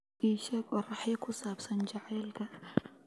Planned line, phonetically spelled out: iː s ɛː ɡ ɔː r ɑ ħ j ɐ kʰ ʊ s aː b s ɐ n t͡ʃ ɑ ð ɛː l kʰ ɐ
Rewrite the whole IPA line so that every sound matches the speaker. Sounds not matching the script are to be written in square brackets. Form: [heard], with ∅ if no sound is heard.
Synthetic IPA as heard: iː [ʃ] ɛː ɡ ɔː r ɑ ħ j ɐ kʰ ʊ s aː b s ɐ n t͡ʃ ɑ [ʕ] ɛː l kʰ ɐ